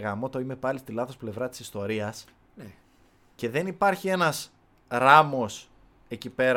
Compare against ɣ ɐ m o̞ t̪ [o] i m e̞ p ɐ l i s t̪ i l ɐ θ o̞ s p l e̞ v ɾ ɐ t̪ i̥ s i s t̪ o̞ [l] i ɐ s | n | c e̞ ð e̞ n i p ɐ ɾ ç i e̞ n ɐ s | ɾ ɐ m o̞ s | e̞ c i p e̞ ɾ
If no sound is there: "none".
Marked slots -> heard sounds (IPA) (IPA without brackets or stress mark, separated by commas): o, ɾ